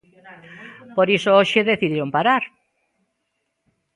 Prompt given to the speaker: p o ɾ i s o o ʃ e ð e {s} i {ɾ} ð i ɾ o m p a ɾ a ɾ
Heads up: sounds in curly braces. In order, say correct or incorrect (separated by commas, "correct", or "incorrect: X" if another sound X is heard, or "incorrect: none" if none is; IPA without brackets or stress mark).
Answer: incorrect: θ, incorrect: none